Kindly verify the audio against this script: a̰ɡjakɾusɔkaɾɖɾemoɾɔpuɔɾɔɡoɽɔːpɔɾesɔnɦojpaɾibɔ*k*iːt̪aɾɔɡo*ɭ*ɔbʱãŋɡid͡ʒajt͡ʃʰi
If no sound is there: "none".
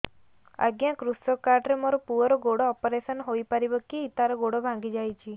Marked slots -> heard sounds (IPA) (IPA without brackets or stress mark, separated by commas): k, ɽ